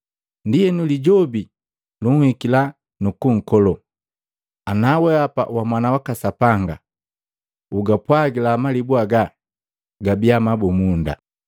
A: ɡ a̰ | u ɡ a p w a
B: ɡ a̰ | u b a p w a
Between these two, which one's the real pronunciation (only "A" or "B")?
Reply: A